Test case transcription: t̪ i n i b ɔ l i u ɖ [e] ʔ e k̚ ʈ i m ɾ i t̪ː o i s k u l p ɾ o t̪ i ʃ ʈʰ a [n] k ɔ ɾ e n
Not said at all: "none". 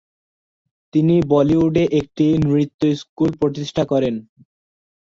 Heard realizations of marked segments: e, none

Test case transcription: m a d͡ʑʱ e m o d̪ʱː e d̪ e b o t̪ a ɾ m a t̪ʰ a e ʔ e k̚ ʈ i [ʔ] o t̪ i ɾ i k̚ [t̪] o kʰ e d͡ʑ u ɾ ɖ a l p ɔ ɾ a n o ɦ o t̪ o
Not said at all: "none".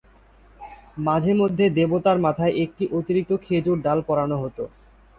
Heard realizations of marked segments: ʔ, t̪

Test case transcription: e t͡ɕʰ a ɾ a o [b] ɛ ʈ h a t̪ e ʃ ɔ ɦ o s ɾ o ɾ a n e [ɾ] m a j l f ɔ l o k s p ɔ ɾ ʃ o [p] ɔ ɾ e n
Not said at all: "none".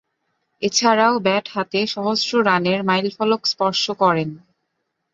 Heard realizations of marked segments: b, ɾ, k

